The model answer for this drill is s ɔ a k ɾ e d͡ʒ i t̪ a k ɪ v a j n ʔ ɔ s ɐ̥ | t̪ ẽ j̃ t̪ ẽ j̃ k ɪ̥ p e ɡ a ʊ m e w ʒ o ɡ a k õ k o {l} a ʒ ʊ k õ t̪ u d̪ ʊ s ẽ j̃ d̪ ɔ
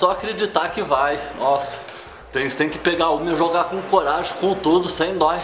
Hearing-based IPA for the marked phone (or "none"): ɾ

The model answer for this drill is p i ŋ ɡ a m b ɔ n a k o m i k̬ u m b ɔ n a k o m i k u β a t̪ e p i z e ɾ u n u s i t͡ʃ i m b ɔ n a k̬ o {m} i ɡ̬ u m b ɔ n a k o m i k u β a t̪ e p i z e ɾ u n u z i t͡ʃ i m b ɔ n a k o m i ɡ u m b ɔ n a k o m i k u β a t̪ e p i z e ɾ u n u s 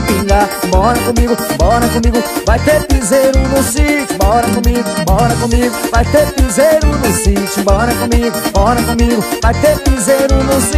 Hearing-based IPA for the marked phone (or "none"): m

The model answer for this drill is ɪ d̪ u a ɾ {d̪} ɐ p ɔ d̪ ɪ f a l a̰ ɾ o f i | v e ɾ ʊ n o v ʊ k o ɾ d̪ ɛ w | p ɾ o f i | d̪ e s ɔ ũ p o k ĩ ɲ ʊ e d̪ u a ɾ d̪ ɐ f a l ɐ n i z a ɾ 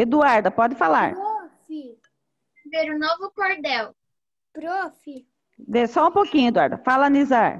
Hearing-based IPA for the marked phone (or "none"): d̪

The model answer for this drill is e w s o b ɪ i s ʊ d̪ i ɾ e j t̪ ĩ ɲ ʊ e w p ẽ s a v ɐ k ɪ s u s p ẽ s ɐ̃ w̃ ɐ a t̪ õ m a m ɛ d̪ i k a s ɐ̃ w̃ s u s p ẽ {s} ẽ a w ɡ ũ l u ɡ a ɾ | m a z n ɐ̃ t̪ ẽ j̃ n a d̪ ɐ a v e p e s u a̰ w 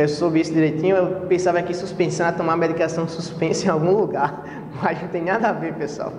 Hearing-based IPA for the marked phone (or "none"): s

